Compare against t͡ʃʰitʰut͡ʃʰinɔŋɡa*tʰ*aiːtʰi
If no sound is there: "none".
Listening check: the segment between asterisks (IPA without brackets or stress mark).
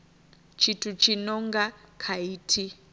kʰ